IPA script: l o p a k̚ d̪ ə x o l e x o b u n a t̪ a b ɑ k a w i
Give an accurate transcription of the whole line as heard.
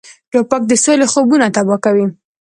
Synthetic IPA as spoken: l o p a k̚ d̪ ə s o l e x o b u n a t̪ a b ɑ k a w i